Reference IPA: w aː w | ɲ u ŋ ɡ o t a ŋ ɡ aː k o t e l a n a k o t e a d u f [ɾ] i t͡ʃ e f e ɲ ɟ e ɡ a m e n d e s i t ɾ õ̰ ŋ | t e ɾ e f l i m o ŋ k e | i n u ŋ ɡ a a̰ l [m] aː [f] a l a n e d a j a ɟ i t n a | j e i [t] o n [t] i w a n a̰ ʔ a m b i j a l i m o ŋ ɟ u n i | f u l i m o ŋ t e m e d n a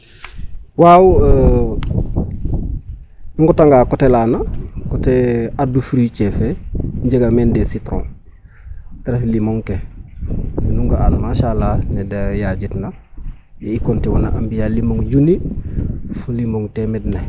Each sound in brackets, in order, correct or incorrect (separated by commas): correct, correct, incorrect, incorrect, correct